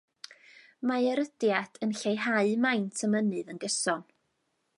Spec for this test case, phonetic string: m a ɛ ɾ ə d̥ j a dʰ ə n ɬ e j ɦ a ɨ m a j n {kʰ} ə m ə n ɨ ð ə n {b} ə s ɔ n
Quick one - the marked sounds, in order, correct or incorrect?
incorrect, incorrect

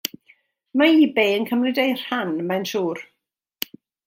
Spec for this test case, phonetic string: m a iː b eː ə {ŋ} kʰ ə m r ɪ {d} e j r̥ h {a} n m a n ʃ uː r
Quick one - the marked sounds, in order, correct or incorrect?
incorrect, correct, correct

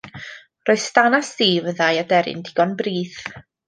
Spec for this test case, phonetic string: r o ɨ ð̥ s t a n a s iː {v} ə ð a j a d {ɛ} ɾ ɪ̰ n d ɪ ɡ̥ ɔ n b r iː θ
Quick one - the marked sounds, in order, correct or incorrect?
correct, correct

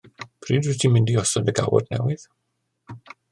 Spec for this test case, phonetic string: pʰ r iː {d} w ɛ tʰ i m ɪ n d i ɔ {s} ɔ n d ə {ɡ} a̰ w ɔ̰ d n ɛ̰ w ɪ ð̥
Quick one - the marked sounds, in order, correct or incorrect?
correct, correct, correct

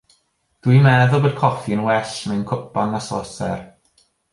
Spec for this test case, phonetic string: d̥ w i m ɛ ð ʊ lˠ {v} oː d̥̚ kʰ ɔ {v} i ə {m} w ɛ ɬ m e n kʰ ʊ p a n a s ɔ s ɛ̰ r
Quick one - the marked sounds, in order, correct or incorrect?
incorrect, incorrect, incorrect

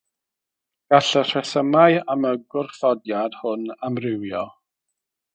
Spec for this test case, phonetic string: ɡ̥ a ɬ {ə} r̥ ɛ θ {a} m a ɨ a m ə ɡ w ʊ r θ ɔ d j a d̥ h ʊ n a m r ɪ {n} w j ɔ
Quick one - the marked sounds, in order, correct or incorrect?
correct, incorrect, incorrect

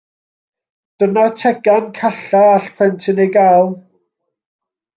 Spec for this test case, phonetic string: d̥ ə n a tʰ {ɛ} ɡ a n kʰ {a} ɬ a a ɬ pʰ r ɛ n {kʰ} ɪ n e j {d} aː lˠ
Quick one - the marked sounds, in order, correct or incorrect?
correct, correct, incorrect, incorrect

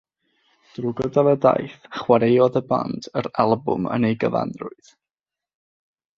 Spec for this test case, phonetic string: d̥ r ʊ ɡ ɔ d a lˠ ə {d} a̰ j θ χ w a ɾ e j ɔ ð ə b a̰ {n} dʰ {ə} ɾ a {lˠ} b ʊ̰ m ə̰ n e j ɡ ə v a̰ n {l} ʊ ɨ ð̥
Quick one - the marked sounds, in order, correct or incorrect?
correct, correct, correct, correct, incorrect

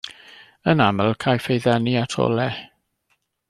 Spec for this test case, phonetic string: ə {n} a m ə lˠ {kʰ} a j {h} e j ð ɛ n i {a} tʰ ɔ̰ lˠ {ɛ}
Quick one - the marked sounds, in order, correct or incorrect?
correct, correct, incorrect, correct, correct

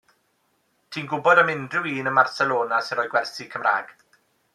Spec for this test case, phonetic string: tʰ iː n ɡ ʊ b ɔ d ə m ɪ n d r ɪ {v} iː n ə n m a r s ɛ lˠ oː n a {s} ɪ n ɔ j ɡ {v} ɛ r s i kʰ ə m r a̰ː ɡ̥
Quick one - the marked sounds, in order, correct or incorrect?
incorrect, correct, incorrect

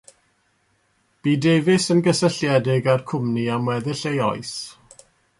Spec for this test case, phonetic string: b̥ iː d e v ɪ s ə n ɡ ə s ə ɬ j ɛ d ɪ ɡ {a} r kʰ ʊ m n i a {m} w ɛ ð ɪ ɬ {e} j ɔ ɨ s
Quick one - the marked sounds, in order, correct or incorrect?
correct, correct, correct

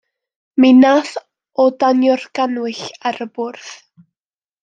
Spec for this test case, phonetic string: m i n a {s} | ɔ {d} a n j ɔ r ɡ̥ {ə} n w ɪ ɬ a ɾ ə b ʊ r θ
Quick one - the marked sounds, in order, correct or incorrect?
incorrect, correct, incorrect

